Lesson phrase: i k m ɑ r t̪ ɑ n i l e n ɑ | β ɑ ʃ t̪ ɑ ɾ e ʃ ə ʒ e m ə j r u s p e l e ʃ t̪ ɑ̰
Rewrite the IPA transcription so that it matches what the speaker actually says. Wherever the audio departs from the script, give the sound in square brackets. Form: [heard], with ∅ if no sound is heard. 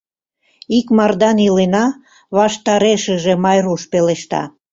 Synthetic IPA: i k m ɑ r [d̪] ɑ n i l e n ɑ | β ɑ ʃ t̪ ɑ ɾ e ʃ ə ʒ e m [ɑ] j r u [ʃ] p e l e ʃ t̪ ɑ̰